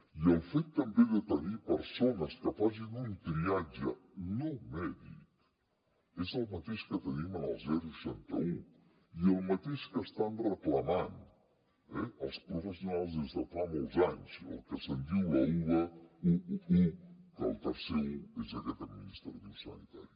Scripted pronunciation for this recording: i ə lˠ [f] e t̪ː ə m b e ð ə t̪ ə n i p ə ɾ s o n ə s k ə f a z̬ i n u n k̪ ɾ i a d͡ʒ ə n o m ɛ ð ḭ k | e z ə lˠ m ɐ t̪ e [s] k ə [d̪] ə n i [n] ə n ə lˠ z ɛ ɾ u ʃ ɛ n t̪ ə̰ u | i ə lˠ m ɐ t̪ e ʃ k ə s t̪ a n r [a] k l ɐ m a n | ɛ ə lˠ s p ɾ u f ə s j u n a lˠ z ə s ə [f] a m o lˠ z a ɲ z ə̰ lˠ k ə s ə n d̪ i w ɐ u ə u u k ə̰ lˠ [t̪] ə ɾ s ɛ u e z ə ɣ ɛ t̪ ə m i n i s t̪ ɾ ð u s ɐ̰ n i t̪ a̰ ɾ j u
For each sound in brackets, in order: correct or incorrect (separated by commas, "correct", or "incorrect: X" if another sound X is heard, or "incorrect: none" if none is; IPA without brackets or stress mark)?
correct, incorrect: ʃ, incorrect: t̪, incorrect: m, incorrect: ə, correct, correct